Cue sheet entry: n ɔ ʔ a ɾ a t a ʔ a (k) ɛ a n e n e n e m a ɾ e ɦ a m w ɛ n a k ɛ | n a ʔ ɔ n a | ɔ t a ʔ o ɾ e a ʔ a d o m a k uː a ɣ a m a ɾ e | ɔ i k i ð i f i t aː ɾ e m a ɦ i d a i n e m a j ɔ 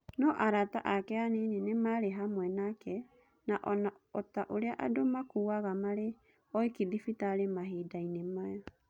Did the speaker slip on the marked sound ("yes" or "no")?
no